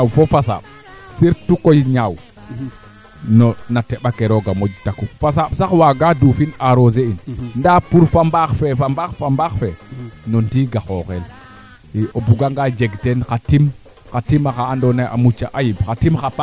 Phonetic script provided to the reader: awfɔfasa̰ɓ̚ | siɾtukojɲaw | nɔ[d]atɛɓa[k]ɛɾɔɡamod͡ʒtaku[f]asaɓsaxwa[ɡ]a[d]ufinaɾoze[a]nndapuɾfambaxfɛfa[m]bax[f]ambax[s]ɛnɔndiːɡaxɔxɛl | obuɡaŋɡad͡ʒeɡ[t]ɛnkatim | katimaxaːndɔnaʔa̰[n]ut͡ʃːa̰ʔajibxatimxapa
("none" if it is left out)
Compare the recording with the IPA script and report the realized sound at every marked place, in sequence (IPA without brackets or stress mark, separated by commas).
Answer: n, k, f, ɡ, d, i, m, f, f, t, m